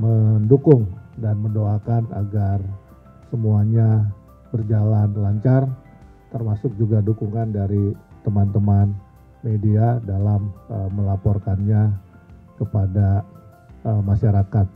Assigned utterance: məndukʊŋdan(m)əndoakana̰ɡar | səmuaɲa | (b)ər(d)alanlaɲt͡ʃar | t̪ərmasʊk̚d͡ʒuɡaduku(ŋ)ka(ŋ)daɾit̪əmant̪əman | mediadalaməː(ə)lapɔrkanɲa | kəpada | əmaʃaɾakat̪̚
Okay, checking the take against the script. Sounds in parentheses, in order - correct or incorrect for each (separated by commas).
correct, correct, incorrect, correct, incorrect, correct